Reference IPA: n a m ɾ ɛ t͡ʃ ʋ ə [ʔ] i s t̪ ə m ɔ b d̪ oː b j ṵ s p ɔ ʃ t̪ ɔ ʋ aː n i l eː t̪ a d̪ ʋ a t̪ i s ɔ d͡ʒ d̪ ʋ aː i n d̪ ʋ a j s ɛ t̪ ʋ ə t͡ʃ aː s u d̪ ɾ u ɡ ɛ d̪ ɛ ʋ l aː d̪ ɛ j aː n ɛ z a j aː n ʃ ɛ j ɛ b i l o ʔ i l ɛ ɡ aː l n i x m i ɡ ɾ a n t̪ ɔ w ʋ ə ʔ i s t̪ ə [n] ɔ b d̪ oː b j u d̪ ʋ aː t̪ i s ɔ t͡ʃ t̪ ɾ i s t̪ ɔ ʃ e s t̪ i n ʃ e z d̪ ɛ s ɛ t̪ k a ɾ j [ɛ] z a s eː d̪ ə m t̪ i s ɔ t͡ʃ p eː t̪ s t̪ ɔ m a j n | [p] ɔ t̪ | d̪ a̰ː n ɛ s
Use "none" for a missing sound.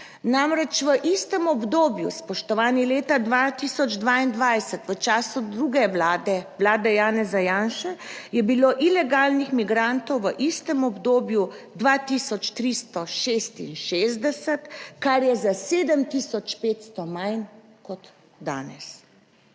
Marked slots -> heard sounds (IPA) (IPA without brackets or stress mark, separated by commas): ʔ, m, ɛ, k